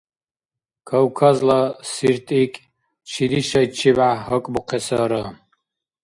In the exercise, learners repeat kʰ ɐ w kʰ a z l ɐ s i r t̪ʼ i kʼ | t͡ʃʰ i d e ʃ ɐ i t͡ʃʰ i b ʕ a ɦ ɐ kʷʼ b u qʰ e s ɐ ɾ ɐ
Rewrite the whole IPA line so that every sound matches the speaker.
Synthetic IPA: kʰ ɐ w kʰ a z l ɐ s i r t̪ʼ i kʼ | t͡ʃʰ i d i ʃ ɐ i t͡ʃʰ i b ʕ a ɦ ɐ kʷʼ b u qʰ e s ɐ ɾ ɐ